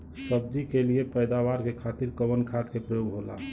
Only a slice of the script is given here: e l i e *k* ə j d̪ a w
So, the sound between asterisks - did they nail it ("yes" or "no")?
no